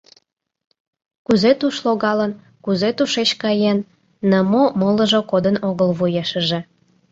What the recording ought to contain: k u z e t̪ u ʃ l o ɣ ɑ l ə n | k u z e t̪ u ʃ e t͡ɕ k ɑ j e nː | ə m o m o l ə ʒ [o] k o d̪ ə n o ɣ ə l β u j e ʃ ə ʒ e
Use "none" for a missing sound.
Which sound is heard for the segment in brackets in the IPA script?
o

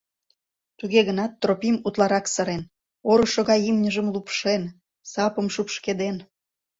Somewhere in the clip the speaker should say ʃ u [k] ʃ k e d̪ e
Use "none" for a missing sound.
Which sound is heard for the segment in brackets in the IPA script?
p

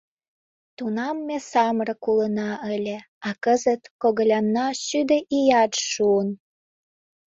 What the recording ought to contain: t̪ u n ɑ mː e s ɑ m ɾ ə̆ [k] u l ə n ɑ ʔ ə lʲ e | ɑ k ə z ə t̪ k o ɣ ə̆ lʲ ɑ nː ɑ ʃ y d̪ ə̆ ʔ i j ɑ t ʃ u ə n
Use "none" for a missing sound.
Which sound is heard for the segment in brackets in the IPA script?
k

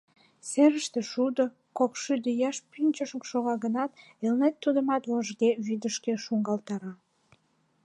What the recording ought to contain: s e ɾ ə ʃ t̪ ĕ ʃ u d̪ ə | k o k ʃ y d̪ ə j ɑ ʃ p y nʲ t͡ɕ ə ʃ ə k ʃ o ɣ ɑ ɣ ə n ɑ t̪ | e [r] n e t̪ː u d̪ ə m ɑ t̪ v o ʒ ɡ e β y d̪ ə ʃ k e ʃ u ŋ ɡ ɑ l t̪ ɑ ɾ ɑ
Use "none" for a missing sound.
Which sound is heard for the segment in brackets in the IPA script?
l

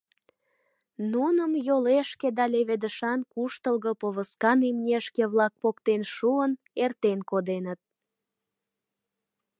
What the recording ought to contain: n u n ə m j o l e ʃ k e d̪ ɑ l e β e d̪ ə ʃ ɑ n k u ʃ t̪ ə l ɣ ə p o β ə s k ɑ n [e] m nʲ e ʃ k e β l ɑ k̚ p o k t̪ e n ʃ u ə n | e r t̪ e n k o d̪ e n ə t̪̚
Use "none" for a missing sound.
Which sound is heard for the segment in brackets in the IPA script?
i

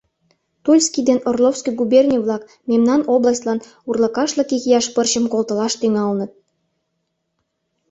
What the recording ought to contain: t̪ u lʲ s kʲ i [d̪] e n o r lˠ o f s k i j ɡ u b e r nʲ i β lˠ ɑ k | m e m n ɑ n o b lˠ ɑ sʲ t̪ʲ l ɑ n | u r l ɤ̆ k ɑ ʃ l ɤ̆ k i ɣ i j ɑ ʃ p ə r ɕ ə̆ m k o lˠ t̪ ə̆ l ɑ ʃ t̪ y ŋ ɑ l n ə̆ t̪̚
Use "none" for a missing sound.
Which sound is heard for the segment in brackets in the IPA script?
d̪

